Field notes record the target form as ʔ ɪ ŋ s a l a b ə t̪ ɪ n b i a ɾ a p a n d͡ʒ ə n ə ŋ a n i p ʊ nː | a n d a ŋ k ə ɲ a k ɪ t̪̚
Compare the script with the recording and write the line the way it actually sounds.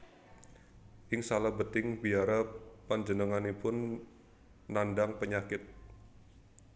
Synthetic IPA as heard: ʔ ɪ ŋ s a l a b ə t̪ ɪ ŋ b i a ɾ a p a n d͡ʒ ə n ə ŋ a n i p ʊ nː | a n d a ŋ p ə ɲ a k ɪ t̪̚

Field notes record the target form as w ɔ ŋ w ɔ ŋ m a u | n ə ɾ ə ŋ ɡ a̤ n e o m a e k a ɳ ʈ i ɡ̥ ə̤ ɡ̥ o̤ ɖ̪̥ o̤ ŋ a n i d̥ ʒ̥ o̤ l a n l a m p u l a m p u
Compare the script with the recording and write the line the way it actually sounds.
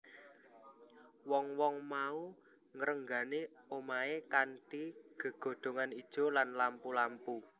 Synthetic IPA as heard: w ɔ ŋ w ɔ ŋ m a u | ŋ ə ɾ ə ŋ ɡ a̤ n e o m a e k a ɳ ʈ i ɡ̥ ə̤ ɡ̥ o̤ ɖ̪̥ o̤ ŋ a n i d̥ ʒ̥ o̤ l a n l a m p u l a m p u

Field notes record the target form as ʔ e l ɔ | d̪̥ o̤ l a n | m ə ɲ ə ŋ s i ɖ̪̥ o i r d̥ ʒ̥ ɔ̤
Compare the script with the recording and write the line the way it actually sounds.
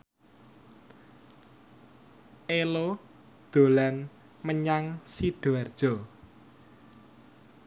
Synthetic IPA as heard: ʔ e l o | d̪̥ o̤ l a n | m ə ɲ a ŋ s i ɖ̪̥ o a r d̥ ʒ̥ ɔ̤

